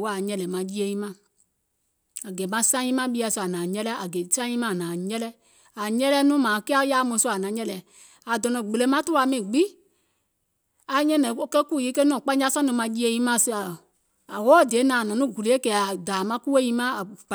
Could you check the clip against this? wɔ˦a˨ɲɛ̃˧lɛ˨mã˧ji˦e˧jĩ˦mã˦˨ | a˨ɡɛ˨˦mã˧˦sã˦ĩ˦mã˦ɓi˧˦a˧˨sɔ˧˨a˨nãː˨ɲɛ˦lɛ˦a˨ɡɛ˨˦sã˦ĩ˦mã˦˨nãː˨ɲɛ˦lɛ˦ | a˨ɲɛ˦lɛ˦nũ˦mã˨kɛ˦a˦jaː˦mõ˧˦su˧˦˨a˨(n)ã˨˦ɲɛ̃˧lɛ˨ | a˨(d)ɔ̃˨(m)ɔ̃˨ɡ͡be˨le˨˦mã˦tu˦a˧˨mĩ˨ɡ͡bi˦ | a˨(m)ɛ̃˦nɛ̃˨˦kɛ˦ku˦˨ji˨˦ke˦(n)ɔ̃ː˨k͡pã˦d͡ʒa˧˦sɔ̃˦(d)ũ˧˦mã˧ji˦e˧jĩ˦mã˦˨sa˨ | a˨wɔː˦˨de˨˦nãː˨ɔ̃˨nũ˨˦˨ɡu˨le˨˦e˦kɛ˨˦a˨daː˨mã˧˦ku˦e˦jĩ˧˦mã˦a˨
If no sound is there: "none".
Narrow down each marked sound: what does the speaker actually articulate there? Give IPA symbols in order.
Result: n, d, n, ɲ, n, n

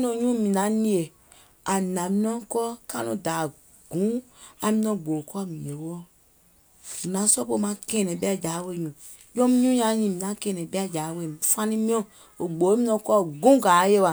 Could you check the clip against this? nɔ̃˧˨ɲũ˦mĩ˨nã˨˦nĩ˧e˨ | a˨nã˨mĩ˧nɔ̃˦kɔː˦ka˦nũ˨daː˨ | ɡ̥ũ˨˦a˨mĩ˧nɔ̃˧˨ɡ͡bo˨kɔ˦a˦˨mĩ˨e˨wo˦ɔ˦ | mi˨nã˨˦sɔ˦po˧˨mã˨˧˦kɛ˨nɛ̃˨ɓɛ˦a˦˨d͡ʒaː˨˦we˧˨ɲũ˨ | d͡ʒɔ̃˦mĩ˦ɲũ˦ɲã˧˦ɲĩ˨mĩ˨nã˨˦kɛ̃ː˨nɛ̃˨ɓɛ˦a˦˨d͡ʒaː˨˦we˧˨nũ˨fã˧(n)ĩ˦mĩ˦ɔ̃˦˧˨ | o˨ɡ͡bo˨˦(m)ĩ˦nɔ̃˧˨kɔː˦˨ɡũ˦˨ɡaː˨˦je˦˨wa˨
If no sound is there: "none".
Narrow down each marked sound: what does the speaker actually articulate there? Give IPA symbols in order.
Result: n, m

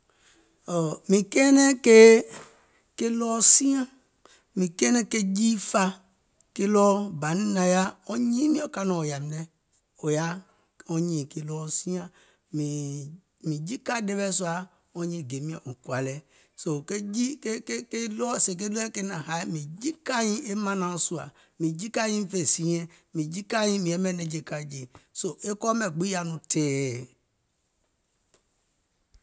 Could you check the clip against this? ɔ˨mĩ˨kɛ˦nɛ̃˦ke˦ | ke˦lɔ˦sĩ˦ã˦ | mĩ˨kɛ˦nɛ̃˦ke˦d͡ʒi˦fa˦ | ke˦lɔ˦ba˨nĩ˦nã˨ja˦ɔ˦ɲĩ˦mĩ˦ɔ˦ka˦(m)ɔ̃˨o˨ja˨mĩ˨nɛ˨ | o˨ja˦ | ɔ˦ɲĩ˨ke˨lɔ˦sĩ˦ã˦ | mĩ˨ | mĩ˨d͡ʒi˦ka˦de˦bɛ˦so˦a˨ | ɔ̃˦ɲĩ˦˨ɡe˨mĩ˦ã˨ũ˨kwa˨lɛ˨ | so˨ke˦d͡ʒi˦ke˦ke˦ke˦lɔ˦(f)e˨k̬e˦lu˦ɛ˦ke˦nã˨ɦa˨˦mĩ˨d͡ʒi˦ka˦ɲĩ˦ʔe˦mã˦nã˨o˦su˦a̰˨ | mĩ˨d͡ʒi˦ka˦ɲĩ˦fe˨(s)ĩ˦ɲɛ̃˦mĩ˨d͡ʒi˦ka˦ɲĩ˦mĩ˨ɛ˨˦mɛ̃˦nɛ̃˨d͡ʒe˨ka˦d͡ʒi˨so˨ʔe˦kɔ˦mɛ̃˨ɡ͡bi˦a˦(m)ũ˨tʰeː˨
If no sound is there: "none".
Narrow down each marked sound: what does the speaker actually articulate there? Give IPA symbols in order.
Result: n, s, s, n

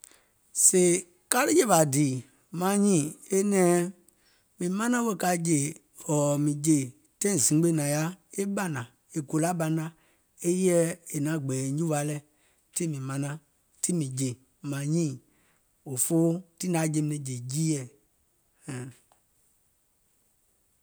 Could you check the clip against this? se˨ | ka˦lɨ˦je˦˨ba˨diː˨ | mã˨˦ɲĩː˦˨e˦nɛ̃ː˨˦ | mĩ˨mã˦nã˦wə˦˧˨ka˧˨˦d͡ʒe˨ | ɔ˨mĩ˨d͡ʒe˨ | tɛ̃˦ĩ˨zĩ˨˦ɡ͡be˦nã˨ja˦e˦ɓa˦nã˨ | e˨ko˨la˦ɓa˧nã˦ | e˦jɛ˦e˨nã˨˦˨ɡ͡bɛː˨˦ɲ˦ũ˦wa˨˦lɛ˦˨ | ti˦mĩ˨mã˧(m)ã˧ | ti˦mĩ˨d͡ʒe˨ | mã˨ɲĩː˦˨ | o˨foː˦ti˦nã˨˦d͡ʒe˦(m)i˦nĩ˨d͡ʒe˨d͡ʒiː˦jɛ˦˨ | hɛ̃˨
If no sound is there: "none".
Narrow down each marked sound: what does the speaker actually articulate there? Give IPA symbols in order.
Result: n, m

